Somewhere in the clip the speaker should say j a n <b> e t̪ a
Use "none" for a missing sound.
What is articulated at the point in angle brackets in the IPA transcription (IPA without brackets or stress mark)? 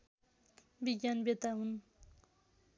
b